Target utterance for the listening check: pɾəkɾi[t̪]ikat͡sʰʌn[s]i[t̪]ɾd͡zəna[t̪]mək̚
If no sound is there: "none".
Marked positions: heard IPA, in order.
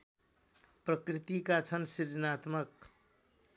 t̪, s, none, t̪

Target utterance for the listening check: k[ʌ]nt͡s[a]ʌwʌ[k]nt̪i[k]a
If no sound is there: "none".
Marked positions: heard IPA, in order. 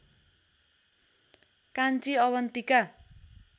a, i, none, k

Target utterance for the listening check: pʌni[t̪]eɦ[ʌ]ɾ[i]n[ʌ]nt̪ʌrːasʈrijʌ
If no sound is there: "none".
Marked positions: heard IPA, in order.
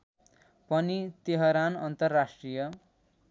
t̪, ʌ, a, ʌ

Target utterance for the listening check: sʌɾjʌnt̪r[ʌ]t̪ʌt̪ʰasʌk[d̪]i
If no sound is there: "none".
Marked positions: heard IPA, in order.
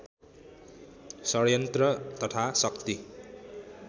ʌ, t̪

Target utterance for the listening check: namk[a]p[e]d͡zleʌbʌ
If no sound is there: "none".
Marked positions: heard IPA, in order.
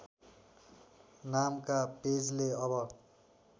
a, e

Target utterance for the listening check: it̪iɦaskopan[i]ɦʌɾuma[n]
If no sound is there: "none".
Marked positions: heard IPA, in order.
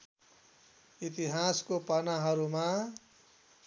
a, none

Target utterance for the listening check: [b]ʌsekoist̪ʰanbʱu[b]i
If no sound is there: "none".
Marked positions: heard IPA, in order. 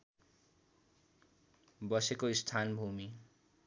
b, m

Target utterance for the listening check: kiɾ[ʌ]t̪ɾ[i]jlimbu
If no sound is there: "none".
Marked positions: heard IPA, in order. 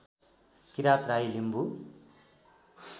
a, a

